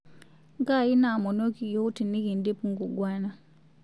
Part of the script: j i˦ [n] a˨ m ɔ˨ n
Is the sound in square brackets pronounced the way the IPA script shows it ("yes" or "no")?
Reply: yes